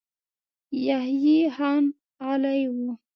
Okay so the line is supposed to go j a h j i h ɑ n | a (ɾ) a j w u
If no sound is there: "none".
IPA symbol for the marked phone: l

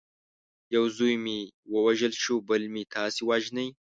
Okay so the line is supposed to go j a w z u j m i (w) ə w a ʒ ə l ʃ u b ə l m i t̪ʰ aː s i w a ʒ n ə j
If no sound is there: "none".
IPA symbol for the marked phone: w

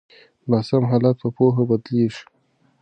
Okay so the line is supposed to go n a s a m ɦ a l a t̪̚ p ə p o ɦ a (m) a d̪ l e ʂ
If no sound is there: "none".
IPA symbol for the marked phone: b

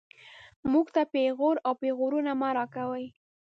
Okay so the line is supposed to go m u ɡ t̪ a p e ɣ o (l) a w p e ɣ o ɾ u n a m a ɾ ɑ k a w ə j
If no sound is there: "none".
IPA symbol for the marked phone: ɾ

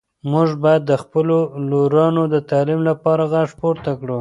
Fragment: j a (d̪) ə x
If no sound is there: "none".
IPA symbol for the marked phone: d̪ː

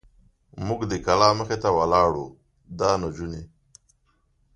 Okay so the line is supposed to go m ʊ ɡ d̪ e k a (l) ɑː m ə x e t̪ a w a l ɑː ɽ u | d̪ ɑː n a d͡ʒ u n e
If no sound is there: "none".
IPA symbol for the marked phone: l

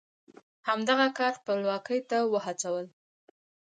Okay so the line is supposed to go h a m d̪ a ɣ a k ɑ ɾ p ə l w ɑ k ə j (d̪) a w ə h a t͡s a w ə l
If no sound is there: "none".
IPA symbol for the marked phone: t̪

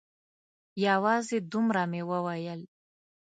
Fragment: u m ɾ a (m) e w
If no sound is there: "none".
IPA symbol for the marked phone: m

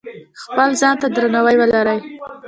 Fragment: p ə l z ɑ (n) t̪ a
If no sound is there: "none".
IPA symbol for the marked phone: n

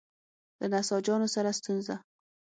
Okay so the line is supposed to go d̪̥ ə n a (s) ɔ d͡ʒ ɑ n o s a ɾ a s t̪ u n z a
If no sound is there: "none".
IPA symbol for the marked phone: s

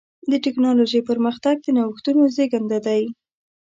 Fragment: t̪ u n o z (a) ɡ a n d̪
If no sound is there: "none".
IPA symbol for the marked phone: e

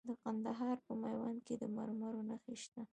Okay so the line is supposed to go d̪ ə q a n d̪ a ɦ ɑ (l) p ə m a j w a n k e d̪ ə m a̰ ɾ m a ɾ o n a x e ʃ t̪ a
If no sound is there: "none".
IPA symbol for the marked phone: ɾ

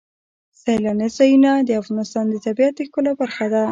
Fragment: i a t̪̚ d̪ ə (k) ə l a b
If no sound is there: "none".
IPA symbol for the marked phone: k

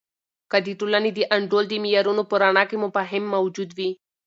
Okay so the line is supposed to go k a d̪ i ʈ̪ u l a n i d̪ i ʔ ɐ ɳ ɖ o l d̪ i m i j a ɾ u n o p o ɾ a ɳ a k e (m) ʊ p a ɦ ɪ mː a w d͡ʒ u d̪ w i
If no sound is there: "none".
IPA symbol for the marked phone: m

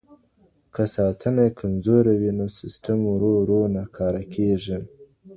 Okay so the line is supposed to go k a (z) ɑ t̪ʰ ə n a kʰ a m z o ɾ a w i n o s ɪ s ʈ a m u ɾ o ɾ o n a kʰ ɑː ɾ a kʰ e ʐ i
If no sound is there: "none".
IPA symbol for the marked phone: s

